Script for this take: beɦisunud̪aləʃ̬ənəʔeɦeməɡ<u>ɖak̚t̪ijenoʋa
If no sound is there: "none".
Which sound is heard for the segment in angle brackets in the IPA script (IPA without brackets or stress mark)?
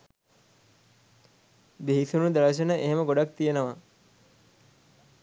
o